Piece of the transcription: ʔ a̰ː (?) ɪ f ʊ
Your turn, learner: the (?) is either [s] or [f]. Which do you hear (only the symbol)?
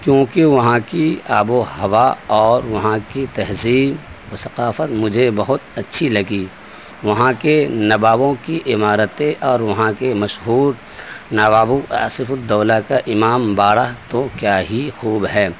s